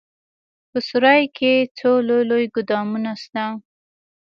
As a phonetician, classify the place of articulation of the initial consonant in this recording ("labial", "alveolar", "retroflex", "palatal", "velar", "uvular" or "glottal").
labial